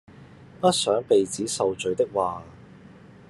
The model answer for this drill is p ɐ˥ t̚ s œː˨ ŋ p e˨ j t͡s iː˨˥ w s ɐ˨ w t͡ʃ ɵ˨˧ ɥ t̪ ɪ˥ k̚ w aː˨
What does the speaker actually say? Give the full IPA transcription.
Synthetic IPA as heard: p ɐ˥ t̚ s œː˨˥ ŋ p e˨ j t͡s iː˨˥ s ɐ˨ w t͡ʃ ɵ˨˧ ɥ t̪ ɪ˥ k̚ w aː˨